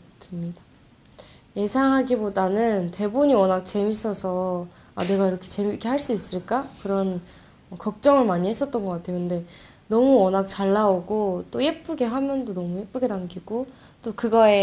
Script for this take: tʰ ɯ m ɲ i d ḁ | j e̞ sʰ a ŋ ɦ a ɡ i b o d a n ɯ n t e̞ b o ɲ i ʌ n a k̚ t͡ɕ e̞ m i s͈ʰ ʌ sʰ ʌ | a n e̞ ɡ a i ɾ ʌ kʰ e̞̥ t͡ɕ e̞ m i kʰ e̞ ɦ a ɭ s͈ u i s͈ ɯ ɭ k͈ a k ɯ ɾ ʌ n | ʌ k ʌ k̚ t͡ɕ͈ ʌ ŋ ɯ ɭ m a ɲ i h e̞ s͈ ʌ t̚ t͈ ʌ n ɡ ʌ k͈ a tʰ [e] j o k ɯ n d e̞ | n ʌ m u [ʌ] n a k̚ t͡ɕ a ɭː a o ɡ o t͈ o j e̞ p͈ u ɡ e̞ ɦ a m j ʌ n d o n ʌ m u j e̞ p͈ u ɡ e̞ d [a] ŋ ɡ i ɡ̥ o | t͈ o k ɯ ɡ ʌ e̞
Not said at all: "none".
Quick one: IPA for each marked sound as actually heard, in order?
e, ʌ, a

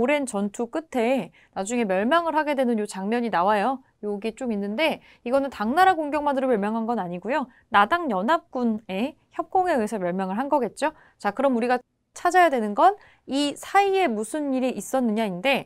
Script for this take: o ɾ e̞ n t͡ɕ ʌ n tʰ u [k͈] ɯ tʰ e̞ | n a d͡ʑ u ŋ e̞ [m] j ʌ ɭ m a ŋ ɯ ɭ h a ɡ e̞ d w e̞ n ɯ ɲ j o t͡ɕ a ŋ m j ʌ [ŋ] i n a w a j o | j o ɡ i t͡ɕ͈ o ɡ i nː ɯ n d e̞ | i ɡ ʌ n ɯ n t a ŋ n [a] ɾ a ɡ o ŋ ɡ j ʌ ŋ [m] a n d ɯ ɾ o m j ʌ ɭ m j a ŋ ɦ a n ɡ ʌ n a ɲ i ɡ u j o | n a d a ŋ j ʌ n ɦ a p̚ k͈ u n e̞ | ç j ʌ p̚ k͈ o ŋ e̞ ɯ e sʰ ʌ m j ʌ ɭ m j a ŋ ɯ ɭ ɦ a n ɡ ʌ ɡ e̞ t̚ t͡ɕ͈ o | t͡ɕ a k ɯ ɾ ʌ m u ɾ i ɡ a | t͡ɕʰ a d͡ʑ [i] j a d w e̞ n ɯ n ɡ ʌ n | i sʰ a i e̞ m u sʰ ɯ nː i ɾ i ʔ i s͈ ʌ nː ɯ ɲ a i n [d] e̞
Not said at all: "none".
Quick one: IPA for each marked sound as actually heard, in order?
k͈, m, ɲ, a, m, a, d

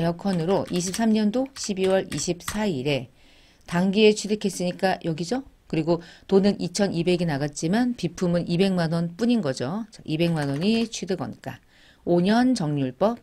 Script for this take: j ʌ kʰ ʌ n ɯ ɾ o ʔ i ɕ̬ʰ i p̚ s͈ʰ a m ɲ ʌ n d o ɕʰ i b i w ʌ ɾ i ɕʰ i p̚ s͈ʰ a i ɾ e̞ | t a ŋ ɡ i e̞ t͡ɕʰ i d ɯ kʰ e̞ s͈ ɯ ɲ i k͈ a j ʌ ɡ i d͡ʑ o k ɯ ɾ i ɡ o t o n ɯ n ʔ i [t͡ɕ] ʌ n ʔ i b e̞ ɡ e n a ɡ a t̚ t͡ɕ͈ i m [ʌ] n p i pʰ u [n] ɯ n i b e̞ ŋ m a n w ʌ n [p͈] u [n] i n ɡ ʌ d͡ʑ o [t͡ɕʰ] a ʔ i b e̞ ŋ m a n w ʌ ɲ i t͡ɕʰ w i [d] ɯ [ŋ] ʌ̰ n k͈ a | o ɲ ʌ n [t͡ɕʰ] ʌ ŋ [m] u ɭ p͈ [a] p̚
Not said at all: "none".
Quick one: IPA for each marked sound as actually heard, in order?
t͡ɕʰ, a, m, p͈, ɲ, t͡ɕ, d, ɡ, t͡ɕ, ɲ, ʌ

